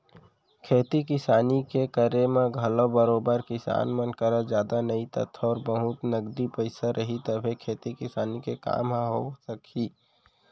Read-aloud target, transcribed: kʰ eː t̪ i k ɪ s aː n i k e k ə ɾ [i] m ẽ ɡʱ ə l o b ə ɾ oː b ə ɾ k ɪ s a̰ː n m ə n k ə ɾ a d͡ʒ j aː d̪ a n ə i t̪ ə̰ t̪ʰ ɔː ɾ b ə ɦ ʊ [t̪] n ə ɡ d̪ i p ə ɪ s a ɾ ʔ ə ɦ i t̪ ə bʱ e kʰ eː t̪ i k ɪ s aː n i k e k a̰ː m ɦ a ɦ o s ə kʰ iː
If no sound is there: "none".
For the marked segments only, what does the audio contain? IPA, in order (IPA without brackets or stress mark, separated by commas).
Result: e, t̪